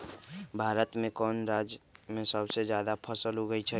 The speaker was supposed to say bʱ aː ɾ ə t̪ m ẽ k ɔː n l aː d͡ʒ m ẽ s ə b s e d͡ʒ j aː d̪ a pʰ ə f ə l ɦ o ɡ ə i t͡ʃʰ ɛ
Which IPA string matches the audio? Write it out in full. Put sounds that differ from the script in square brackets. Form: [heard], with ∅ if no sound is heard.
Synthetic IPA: bʱ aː ɾ ə t̪ m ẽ k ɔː n [ɾ] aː d͡ʒ m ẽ s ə b s e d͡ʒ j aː d̪ a pʰ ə [s] ə l ɦ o ɡ ə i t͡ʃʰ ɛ